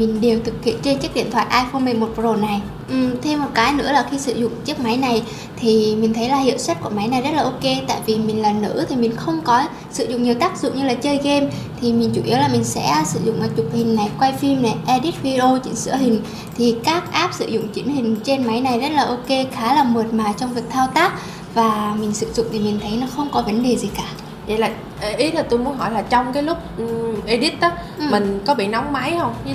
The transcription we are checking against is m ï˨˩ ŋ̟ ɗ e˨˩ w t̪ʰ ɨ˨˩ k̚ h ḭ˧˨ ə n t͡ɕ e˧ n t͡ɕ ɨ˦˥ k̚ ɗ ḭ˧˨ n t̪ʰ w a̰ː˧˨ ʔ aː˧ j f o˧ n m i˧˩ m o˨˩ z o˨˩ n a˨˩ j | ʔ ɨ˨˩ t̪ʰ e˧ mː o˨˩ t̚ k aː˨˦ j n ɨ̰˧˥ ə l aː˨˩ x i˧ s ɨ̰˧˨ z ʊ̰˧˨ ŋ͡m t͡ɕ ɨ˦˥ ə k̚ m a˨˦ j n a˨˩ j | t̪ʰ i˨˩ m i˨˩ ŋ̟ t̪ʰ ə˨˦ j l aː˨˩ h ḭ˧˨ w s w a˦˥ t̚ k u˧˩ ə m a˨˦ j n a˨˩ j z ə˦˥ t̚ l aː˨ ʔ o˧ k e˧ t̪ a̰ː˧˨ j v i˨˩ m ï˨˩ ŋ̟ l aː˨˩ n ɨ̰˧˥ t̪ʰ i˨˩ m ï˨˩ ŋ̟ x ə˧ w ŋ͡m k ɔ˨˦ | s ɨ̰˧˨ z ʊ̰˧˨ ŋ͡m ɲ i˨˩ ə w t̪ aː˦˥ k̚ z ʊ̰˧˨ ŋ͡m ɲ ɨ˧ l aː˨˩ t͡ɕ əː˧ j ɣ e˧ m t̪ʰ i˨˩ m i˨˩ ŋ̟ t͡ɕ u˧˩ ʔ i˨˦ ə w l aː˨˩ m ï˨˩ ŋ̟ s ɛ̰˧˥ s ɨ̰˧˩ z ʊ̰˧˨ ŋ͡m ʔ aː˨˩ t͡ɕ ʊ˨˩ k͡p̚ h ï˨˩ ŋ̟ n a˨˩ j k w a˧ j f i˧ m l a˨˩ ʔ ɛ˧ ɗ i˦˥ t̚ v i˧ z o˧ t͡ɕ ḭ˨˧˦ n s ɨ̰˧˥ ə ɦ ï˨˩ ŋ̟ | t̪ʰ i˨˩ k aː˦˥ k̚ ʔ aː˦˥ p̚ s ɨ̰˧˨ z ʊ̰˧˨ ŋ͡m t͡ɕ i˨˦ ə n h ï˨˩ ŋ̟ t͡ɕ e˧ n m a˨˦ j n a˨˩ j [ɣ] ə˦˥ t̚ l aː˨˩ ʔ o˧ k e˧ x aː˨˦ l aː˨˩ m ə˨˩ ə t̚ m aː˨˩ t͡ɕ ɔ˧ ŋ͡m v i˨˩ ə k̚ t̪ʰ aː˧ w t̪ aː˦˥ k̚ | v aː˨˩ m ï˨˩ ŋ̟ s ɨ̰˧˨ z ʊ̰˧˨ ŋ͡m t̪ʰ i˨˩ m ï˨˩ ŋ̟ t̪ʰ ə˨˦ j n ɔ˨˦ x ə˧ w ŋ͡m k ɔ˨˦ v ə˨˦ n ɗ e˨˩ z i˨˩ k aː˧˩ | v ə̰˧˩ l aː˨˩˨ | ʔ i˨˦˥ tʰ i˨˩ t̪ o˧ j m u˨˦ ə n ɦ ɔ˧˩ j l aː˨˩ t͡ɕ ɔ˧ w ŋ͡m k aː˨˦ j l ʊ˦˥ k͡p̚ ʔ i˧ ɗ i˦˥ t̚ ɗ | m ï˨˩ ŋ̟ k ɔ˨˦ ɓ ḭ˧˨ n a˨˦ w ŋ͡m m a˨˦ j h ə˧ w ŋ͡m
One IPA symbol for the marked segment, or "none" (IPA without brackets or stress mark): z